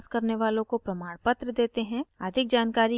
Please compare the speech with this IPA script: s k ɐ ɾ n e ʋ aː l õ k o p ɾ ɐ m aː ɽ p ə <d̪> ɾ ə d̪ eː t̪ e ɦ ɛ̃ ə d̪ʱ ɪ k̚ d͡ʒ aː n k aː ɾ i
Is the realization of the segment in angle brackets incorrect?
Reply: yes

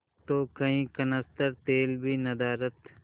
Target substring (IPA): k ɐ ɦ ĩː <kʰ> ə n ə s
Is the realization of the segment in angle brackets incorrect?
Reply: yes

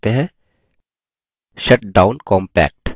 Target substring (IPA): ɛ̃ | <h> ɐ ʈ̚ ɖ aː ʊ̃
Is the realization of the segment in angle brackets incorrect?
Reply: yes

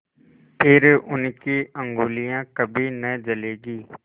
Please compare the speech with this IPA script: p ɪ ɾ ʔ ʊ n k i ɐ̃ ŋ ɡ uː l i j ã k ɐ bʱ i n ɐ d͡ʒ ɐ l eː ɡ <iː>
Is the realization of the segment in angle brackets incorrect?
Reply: no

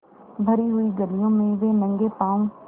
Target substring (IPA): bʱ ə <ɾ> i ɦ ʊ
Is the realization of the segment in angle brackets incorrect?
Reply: no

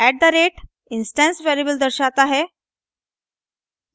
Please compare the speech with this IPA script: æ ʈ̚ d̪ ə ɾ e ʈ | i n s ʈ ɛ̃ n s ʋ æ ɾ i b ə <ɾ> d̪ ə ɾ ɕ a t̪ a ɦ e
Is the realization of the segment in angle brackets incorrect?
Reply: yes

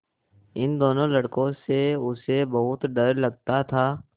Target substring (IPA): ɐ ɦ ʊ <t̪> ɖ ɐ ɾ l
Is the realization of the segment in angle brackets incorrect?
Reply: no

